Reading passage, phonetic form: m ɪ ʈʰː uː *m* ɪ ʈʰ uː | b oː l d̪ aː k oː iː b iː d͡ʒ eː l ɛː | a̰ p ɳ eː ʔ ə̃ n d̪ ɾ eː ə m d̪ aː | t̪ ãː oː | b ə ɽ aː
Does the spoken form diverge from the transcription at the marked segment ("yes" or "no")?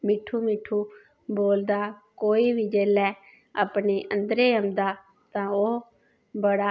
no